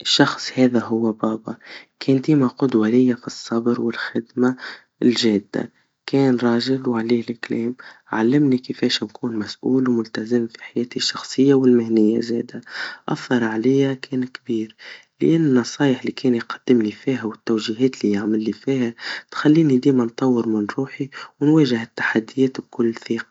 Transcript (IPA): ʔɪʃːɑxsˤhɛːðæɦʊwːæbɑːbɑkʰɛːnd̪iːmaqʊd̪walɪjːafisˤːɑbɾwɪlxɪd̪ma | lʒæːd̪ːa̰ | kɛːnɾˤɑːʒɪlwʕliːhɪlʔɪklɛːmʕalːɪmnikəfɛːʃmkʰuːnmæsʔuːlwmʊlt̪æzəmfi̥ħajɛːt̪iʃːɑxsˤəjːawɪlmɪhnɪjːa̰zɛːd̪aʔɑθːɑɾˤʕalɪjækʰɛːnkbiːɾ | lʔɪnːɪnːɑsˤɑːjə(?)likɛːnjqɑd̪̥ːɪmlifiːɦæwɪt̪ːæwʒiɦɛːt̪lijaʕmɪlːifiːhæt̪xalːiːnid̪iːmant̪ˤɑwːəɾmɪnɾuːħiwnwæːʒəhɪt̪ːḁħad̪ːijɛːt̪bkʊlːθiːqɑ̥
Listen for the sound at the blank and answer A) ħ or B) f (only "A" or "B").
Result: A